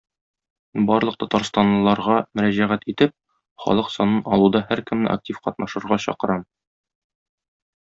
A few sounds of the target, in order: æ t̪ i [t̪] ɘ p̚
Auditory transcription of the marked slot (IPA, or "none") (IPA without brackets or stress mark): t̪